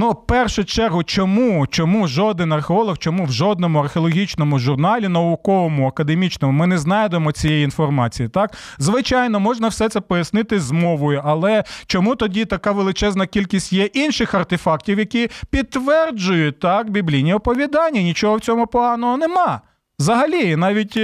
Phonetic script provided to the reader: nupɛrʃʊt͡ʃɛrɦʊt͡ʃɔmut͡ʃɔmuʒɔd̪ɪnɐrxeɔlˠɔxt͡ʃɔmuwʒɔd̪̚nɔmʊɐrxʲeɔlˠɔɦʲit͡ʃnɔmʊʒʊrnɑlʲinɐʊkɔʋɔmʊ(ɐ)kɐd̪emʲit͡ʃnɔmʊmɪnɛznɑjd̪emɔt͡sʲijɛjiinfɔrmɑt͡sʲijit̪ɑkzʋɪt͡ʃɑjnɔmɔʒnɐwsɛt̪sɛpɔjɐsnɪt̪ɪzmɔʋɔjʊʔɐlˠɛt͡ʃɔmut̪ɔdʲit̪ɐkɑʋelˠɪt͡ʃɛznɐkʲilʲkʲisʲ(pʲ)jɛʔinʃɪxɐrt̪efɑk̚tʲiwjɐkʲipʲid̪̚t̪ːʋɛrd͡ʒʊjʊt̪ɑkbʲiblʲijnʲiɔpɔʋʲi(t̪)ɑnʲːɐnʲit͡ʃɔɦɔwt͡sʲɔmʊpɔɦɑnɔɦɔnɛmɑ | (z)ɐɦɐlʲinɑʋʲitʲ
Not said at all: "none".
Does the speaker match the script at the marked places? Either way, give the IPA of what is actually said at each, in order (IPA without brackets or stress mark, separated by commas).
ɐ, tʲ, d̪, z